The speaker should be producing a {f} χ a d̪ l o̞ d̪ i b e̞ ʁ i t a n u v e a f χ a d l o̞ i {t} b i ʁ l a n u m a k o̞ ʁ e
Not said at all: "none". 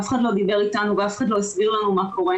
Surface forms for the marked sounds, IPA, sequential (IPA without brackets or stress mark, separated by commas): f, s